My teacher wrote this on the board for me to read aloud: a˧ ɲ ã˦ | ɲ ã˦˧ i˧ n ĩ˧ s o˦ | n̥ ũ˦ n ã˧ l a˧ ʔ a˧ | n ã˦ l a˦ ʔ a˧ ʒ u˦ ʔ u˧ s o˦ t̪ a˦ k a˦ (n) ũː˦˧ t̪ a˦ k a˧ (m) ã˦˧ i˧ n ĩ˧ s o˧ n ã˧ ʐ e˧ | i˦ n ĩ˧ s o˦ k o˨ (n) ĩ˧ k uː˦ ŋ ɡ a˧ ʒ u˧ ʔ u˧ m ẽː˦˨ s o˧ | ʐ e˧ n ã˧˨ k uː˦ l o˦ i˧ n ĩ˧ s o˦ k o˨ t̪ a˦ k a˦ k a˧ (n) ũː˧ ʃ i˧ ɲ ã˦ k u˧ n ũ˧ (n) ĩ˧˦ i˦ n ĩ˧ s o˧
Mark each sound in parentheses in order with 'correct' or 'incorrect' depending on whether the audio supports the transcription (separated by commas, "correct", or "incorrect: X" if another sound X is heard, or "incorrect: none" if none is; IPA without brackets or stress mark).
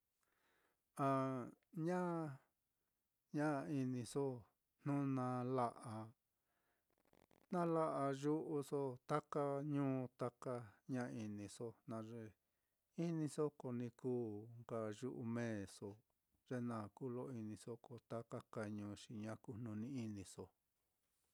incorrect: ɲ, incorrect: ɲ, correct, incorrect: ɲ, correct